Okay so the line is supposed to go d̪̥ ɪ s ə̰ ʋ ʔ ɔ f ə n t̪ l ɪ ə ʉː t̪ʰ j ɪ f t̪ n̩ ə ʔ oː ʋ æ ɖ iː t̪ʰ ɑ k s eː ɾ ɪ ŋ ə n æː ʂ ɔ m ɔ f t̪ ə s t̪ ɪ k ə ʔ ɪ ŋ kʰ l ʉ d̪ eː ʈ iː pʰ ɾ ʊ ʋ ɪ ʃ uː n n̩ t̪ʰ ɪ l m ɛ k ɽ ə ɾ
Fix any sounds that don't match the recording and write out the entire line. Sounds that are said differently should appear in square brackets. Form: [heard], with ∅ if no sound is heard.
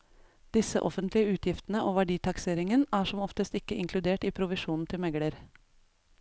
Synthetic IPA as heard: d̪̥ ɪ s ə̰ [∅] ʔ ɔ f ə n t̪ l ɪ ə ʉː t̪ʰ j ɪ f t̪ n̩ ə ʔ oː ʋ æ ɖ iː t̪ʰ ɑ k s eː ɾ ɪ ŋ ə n æː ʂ ɔ m ɔ f t̪ ə s t̪ ɪ k ə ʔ ɪ ŋ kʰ l ʉ d̪ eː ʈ iː pʰ ɾ ʊ ʋ ɪ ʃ uː n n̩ t̪ʰ ɪ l m ɛ [ɡ] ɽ ə ɾ